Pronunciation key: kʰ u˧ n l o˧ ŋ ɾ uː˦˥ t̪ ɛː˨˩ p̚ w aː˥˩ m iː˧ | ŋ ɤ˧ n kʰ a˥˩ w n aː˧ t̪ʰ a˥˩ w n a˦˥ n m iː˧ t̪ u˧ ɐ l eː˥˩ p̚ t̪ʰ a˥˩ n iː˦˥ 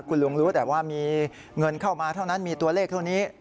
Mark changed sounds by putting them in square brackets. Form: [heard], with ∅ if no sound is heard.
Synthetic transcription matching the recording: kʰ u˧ n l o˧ ŋ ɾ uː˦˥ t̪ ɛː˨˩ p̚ w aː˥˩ m iː˧ | ŋ ɤ˧ n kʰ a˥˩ w [m] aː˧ t̪ʰ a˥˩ w n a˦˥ n m iː˧ t̪ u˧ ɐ l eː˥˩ [k̚] t̪ʰ a˥˩ n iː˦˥